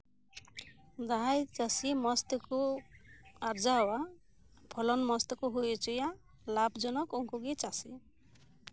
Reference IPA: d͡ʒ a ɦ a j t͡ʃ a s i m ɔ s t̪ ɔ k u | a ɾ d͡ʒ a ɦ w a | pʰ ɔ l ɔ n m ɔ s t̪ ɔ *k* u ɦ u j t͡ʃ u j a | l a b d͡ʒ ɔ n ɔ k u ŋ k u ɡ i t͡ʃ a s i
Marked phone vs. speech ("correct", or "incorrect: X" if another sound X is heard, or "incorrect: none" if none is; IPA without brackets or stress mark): correct